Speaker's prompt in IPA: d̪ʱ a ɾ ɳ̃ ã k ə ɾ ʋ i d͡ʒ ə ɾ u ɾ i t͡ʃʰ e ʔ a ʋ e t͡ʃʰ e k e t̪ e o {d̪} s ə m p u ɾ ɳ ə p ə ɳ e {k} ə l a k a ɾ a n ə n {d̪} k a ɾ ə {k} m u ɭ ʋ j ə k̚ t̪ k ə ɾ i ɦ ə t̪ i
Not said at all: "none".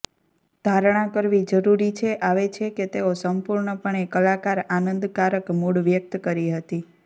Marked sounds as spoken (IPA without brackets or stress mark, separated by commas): none, k, d̪, k